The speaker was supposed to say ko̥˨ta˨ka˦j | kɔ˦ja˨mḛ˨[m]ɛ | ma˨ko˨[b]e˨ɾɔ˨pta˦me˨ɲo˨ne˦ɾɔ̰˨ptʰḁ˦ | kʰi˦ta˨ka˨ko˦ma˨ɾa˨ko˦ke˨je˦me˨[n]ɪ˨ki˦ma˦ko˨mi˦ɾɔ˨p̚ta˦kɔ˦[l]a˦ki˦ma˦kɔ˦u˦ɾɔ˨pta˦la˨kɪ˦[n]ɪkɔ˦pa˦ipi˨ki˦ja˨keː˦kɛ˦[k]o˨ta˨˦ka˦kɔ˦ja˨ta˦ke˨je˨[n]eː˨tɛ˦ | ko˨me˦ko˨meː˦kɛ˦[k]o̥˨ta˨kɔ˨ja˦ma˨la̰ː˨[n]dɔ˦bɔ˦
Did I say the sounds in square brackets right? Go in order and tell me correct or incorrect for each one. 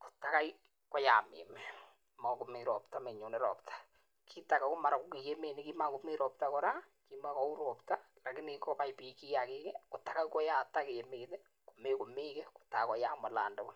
correct, incorrect: m, correct, incorrect: ɾ, correct, correct, incorrect: m, correct, correct

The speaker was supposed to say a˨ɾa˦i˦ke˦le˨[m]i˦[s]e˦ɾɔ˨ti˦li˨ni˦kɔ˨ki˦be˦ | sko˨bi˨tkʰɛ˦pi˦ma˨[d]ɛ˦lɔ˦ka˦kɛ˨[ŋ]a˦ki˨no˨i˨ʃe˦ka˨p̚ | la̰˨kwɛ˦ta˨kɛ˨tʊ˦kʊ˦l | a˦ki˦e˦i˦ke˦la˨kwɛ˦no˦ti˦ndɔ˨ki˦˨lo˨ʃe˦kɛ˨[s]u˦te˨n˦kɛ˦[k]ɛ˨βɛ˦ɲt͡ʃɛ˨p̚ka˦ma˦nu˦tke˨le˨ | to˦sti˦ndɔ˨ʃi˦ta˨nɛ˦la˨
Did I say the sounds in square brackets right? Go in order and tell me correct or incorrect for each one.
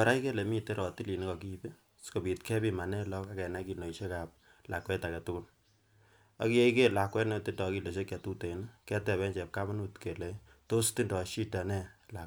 correct, incorrect: t, incorrect: n, incorrect: n, incorrect: t, incorrect: t

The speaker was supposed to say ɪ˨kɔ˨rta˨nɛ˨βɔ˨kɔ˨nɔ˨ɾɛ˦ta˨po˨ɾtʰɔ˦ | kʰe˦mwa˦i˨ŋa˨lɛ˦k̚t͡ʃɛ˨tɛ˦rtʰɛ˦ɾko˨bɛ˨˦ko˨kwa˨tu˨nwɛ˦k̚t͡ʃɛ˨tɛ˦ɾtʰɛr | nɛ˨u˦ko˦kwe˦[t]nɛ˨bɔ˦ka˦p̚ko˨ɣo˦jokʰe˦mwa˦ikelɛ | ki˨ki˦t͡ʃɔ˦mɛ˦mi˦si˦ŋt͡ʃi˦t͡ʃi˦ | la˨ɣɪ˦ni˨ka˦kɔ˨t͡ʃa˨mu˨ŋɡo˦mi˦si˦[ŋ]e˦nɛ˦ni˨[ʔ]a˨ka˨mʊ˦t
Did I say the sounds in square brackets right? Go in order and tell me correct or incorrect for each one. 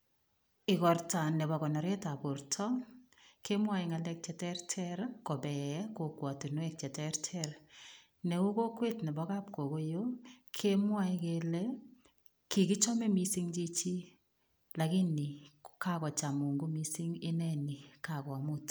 correct, correct, incorrect: k

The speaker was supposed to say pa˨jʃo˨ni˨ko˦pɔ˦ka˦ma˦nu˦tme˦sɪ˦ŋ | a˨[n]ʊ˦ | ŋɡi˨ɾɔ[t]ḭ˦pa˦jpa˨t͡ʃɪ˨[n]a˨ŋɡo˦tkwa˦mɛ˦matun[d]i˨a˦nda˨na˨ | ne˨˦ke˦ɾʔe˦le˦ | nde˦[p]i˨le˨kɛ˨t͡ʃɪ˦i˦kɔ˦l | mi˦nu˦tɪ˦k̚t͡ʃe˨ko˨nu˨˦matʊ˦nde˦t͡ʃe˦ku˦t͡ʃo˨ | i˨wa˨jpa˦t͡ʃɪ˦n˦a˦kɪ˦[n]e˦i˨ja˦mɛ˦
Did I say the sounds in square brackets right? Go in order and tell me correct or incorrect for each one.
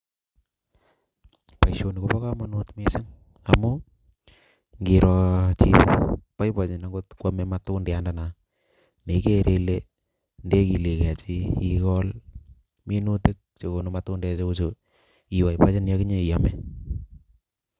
incorrect: m, incorrect: t͡ʃ, correct, correct, incorrect: k, incorrect: ɲ

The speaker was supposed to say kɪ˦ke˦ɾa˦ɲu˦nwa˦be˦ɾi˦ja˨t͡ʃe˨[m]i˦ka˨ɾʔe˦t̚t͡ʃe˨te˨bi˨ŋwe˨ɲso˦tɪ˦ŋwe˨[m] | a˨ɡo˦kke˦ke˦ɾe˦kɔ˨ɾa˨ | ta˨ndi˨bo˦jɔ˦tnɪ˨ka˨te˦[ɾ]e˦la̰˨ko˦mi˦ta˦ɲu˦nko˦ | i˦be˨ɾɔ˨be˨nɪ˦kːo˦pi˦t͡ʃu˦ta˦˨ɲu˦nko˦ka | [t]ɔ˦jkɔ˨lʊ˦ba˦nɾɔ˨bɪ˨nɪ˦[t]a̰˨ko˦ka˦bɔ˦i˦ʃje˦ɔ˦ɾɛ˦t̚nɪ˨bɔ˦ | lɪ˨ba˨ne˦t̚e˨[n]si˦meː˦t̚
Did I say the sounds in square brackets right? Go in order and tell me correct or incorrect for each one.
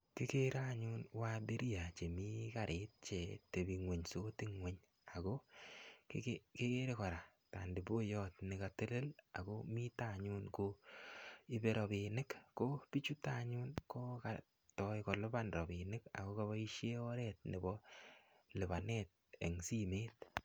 correct, incorrect: ɲ, incorrect: l, correct, incorrect: k, incorrect: ŋ

